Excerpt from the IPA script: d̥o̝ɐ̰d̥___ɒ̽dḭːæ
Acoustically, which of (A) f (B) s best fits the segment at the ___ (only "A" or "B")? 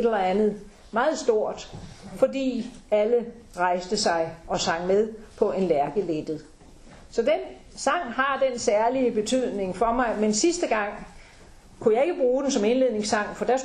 A